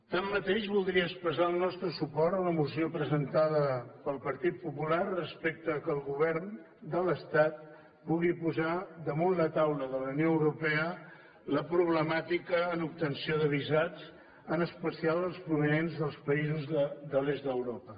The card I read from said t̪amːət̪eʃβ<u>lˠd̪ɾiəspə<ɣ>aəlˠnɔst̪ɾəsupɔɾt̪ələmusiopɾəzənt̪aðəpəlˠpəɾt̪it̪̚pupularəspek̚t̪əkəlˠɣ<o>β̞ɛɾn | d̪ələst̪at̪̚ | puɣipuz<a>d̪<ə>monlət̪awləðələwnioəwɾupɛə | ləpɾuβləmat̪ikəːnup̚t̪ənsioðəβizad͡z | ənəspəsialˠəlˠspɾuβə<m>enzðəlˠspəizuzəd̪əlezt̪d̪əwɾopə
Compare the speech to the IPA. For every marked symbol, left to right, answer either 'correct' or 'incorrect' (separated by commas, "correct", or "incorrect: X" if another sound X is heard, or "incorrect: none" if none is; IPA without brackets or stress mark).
correct, incorrect: z, incorrect: u, correct, correct, incorrect: n